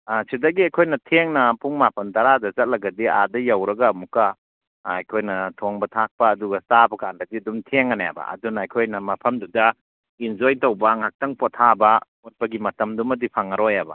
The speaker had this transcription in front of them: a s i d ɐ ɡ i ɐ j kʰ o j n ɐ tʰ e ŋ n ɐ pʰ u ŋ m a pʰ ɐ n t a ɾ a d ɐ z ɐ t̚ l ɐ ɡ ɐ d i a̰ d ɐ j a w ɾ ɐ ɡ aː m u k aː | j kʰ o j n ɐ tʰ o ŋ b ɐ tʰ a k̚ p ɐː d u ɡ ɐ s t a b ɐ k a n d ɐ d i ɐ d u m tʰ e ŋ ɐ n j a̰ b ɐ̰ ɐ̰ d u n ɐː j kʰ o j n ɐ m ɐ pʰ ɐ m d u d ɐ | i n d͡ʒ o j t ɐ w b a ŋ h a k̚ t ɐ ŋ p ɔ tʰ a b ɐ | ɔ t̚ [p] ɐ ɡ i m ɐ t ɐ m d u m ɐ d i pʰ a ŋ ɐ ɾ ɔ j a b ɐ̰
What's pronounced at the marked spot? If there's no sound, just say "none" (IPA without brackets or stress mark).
p